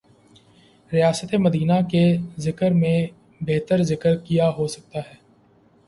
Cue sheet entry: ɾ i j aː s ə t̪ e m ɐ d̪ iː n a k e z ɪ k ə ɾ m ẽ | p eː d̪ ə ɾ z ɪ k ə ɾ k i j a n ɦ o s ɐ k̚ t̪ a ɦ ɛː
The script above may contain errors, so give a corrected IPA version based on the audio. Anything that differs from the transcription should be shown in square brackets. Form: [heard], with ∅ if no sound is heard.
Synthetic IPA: ɾ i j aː s ə t̪ e m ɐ d̪ iː n a k e z ɪ k ə ɾ m ẽ | [b] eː [t̪] ə ɾ z ɪ k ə ɾ k i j a [∅] ɦ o s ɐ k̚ t̪ a ɦ ɛː